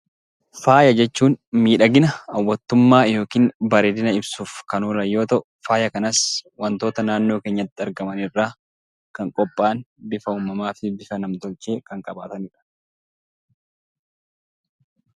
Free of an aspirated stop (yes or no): yes